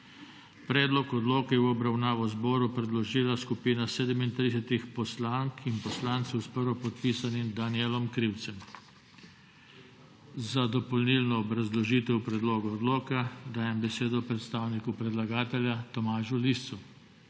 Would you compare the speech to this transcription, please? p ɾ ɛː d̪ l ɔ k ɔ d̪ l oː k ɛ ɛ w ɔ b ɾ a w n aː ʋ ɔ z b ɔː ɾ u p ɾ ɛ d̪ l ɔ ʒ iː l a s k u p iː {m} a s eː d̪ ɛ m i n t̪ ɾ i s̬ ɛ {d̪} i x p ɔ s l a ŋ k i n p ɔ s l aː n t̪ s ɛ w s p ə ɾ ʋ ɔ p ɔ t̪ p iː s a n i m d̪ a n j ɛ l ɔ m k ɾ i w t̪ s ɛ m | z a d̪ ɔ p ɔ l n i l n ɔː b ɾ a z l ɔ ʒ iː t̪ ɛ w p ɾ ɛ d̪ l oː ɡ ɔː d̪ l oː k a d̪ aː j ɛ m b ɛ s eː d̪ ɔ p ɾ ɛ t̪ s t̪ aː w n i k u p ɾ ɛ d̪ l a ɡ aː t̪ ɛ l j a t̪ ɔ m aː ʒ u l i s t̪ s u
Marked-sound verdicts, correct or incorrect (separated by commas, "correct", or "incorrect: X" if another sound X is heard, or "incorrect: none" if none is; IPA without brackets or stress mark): incorrect: n, incorrect: t̪